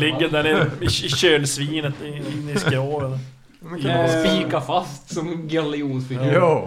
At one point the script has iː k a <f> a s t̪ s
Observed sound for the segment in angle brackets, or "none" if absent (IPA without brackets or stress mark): f